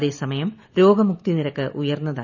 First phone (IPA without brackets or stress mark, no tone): ð